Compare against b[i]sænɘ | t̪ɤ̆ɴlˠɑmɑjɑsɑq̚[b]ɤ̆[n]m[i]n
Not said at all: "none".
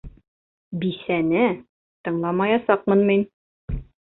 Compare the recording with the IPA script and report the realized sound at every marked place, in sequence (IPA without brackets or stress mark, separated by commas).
i, m, n, i